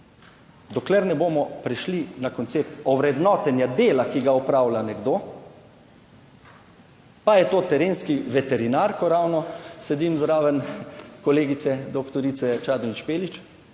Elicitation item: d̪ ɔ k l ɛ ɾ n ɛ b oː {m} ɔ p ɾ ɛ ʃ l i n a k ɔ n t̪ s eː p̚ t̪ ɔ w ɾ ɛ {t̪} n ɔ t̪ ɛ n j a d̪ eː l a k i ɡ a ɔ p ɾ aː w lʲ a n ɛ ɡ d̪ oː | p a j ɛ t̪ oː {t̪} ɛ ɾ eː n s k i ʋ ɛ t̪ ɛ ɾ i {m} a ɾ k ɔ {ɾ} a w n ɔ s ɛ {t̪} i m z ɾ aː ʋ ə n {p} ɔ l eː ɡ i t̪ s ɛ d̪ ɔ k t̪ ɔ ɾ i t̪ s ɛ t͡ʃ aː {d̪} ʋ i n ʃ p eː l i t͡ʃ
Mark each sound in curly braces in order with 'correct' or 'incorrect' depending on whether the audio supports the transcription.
correct, incorrect: d̪, correct, incorrect: n, correct, incorrect: d̪, incorrect: k, correct

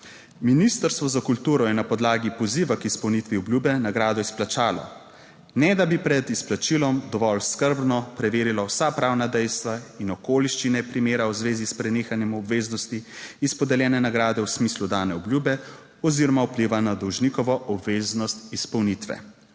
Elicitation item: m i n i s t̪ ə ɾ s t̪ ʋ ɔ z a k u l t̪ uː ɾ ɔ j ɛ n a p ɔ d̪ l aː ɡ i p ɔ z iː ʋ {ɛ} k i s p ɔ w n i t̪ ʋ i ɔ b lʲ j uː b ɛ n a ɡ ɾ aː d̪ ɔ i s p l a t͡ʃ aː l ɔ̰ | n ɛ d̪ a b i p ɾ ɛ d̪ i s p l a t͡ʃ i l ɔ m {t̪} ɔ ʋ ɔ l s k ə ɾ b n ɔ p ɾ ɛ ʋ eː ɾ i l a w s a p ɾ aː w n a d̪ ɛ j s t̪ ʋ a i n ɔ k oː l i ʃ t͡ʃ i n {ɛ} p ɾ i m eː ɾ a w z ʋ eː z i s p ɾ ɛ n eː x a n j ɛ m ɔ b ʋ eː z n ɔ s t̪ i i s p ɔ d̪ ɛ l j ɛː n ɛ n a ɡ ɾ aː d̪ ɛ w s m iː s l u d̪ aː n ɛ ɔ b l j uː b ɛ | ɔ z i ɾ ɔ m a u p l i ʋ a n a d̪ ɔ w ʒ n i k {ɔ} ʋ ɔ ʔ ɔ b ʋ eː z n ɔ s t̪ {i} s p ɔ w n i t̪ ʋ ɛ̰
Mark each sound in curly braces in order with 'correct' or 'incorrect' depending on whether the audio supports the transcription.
incorrect: a, incorrect: d̪, correct, correct, correct

